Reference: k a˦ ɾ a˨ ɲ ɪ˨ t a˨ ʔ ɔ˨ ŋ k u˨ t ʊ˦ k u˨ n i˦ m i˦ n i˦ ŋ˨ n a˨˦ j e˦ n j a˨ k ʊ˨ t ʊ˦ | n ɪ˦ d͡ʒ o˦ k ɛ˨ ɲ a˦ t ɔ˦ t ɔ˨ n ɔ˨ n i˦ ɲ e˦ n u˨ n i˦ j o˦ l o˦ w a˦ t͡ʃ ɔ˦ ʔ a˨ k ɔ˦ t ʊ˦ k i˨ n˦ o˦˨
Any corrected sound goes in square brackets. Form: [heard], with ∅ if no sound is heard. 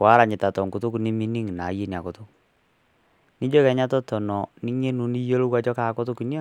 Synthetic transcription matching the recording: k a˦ ɾ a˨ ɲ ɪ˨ t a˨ [t] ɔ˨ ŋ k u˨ t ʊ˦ k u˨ n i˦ m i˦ n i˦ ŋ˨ n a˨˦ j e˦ n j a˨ k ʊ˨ t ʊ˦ | n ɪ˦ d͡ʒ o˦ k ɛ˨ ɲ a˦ t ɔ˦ t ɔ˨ n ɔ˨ n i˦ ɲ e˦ n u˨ n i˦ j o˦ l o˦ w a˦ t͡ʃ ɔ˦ [k] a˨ k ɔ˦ t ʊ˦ k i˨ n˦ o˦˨